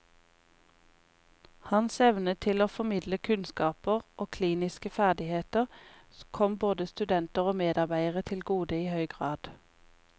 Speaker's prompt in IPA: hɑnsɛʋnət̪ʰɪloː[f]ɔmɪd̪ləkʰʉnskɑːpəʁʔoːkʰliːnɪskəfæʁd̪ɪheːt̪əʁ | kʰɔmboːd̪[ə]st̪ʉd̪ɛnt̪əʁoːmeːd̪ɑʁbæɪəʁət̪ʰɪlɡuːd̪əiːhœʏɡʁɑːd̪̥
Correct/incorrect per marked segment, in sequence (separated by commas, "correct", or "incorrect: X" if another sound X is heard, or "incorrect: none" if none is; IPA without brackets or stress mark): correct, correct